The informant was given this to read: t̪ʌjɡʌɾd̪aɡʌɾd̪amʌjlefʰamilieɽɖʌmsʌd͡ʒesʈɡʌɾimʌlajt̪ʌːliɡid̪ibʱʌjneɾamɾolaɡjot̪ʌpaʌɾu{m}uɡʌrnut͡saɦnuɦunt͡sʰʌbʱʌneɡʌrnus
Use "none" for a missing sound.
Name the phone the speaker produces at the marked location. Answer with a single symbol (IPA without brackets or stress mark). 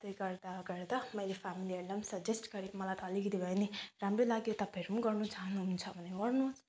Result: m